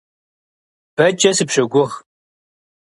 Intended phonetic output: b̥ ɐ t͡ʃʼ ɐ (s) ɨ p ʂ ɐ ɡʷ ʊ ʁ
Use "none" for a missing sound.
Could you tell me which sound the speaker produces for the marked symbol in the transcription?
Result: s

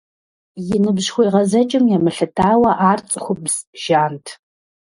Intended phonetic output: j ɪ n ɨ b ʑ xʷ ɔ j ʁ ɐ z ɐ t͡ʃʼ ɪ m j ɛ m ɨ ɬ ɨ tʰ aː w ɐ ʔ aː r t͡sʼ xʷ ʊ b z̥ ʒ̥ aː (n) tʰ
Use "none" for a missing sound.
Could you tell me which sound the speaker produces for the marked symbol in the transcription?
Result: n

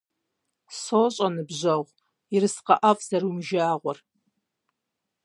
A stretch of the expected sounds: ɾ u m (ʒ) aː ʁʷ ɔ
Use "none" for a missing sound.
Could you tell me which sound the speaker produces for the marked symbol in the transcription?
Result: ʒ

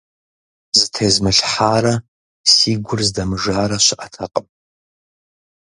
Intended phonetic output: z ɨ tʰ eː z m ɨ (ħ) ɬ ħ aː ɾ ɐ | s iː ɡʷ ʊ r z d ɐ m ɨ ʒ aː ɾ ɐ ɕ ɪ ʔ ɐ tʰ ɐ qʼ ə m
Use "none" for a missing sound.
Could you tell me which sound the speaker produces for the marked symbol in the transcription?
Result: none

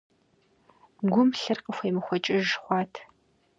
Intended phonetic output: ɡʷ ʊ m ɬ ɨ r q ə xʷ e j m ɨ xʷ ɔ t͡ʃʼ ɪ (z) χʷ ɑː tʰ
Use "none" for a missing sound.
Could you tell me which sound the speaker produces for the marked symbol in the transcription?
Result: ʒ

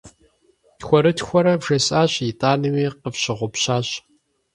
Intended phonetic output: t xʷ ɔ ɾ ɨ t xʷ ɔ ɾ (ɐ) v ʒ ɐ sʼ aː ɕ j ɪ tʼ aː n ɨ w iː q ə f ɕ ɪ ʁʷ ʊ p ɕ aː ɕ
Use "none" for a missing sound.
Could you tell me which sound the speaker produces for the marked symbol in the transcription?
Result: ɐ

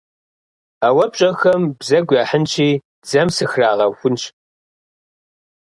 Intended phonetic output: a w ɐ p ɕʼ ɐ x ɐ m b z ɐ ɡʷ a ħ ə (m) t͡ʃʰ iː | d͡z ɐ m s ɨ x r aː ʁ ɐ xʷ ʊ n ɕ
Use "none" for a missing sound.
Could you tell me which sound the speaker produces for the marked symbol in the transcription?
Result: n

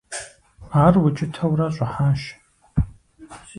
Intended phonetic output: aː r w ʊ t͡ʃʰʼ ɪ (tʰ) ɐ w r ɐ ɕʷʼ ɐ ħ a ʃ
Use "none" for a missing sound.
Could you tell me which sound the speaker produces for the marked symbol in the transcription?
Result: tʰ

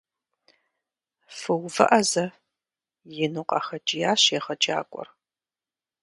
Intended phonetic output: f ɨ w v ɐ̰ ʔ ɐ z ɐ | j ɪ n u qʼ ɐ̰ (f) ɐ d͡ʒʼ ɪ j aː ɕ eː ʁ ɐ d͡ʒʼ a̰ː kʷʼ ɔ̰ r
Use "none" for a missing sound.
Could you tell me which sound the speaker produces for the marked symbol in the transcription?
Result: x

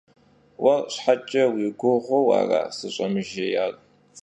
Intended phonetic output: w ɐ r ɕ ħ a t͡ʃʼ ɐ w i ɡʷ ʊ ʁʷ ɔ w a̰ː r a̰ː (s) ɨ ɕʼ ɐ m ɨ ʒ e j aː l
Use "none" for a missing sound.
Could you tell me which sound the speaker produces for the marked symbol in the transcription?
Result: s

